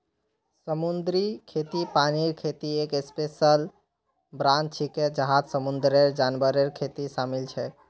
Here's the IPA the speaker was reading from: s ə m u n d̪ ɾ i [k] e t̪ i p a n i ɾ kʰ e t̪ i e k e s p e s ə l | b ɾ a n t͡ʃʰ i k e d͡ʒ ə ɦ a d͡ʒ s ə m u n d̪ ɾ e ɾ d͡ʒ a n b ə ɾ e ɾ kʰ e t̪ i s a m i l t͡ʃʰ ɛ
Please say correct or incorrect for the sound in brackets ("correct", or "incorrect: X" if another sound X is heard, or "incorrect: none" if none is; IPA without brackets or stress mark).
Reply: incorrect: kʰ